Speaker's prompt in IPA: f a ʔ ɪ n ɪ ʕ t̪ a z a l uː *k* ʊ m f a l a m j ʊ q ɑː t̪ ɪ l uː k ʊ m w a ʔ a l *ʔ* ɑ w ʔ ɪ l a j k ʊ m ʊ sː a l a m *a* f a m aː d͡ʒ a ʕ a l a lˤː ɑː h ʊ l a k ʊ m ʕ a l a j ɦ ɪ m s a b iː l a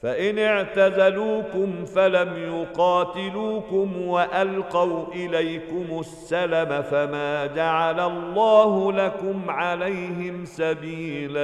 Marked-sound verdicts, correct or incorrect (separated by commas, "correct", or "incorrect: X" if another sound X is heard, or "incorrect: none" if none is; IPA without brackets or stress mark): correct, incorrect: q, correct